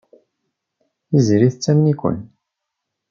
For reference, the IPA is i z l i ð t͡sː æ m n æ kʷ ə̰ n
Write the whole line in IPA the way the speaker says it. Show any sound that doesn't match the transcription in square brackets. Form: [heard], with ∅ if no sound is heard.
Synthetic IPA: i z [ɾ] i [θ] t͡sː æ m n [i] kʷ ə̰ n